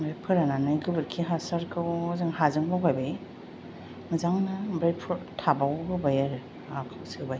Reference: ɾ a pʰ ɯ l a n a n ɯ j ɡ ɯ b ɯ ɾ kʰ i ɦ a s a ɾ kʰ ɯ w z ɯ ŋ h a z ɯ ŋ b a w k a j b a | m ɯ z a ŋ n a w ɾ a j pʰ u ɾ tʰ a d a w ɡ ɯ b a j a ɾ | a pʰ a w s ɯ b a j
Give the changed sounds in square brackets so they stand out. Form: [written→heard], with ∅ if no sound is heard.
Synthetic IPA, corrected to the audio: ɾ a pʰ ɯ [l→ɾ] a n a n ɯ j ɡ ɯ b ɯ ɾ kʰ i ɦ a s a ɾ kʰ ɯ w z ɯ ŋ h a z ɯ ŋ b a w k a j b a | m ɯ z a ŋ n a [w→b] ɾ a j pʰ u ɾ tʰ a [d→b] a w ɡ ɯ b a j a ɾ | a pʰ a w s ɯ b a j